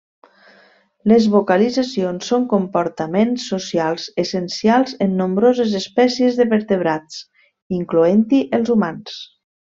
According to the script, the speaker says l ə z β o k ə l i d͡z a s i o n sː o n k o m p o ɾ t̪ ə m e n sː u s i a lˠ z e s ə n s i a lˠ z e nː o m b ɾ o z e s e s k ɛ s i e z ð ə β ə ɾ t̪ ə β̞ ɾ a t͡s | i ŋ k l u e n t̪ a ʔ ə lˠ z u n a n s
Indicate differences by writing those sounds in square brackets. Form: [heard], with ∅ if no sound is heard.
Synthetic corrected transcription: l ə z β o k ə l i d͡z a s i o n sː o [ŋ] k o m p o ɾ t̪ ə m e n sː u s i a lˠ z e s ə n s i a lˠ z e nː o m b ɾ o z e [z] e s [p] ɛ s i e z ð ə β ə ɾ t̪ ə β̞ ɾ a t͡s | i ŋ k l u e n t̪ [i] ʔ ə lˠ z u [m] a n s